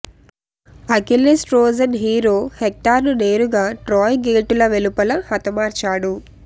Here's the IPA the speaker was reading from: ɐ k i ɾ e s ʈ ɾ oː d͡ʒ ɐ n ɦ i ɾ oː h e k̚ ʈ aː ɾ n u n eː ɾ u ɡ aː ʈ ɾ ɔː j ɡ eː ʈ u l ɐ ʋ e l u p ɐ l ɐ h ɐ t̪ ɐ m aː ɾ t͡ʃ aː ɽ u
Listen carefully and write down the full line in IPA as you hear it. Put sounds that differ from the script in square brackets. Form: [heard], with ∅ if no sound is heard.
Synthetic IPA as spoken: ɐ k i [l] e s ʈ ɾ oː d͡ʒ ɐ n ɦ [iː] ɾ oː h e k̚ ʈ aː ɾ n u n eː ɾ u ɡ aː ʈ ɾ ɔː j ɡ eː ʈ u l ɐ ʋ e l u p ɐ l ɐ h ɐ t̪ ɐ m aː ɾ t͡ʃ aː ɽ u